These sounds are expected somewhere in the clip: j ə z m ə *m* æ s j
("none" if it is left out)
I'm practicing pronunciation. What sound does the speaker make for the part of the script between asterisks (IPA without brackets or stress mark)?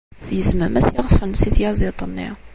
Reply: m